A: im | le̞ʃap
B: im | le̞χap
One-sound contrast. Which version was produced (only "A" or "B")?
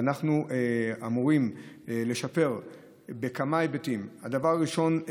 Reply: A